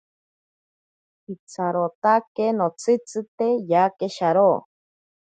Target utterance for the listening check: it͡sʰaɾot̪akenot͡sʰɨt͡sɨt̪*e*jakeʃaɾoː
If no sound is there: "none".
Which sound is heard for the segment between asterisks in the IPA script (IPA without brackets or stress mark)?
e